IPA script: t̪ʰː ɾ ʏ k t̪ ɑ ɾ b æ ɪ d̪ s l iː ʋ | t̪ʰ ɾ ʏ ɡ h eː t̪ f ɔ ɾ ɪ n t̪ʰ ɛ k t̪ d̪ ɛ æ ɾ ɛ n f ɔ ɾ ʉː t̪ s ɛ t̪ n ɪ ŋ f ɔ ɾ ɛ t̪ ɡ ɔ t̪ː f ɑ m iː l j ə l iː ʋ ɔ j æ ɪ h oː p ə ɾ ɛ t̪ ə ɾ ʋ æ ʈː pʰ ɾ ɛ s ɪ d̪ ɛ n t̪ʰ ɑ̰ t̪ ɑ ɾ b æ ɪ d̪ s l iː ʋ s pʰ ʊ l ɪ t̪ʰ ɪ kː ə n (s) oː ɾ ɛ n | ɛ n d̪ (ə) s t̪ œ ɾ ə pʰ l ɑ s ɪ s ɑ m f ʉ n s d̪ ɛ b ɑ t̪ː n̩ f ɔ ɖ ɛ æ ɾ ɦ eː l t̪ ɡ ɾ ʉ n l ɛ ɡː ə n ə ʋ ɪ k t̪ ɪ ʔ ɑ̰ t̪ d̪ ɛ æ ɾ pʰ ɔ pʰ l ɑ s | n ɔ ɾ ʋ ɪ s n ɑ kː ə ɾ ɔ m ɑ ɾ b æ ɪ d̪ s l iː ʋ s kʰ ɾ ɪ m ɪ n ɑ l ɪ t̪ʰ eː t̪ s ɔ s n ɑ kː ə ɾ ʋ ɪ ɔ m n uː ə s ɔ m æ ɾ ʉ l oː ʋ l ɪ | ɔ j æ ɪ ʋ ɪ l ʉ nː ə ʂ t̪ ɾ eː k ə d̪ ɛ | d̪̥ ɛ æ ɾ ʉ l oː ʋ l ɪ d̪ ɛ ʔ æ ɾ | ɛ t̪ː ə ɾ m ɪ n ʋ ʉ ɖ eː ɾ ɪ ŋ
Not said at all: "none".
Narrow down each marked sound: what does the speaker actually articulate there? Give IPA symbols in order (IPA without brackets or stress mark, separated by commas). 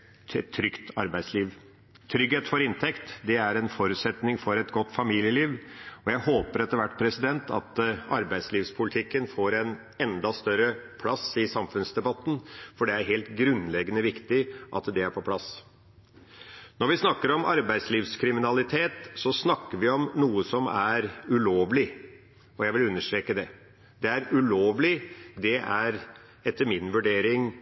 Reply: f, ɑ